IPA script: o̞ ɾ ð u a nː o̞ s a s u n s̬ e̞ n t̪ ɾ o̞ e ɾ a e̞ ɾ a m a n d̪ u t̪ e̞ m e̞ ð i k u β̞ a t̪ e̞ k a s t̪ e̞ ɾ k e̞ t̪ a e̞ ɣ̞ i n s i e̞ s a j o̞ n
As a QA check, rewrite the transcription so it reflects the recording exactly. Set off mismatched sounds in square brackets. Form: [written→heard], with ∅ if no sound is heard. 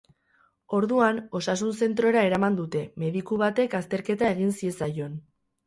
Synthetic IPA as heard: o̞ ɾ ð u a [nː→n] o̞ s a s u n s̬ e̞ n t̪ ɾ o̞ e ɾ a e̞ ɾ a m a n d̪ u t̪ e̞ m e̞ ð i k u β̞ a t̪ e̞ k a s t̪ e̞ ɾ k e̞ t̪ a e̞ ɣ̞ i n s i e̞ s a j o̞ n